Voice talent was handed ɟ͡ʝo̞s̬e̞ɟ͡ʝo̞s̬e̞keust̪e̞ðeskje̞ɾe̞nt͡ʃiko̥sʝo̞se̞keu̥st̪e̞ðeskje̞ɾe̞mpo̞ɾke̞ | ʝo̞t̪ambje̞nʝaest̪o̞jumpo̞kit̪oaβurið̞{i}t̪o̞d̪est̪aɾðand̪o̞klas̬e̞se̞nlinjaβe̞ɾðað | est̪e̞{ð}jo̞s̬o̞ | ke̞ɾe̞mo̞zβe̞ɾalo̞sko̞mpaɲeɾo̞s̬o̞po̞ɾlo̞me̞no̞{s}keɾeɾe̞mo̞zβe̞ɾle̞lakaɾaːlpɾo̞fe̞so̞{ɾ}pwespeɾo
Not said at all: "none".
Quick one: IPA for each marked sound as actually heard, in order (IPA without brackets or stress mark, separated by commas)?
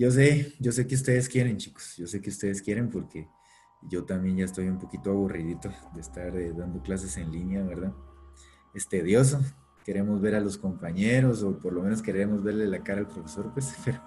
i, ð, s, ɾ